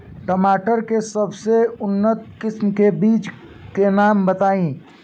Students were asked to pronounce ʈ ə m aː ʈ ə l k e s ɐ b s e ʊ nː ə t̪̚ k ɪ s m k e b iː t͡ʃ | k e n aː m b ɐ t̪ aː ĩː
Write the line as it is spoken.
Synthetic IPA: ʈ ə m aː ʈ ə ɾ k e s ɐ b s e ʊ nː ə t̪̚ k ɪ s m k e b iː t͡ʃ | k e n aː m b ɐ t̪ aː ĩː